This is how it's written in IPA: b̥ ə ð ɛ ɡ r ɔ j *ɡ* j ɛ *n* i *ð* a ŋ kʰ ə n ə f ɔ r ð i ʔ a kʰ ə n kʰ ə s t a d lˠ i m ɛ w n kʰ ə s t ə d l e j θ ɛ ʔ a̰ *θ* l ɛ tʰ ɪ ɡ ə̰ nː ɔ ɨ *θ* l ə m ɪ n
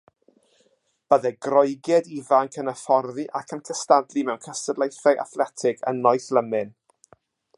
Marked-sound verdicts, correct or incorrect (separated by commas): correct, incorrect, incorrect, correct, correct